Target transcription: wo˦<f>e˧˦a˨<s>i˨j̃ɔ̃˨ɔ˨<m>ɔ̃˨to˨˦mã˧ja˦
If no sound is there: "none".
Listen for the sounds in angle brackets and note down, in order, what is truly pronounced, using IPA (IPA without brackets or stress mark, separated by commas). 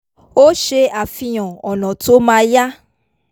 ʃ, f, n